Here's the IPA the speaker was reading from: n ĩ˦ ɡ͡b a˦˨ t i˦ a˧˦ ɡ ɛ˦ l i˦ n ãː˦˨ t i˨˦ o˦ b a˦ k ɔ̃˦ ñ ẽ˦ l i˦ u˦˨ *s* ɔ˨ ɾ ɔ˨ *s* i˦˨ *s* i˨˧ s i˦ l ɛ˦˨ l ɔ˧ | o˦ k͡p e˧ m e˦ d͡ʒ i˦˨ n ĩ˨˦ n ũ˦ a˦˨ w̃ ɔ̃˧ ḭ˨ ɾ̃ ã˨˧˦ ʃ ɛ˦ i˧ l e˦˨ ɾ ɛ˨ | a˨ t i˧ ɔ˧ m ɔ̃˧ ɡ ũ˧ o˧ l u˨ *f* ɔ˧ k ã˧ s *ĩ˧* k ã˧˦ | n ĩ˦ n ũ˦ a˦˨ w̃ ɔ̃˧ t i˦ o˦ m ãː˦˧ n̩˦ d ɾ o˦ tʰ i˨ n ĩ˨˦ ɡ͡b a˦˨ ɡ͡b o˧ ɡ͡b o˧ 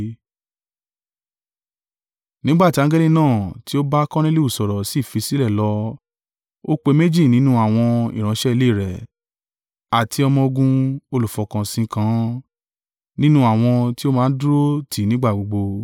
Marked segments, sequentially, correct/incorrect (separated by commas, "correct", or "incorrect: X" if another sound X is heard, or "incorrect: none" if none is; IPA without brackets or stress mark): correct, correct, incorrect: f, correct, correct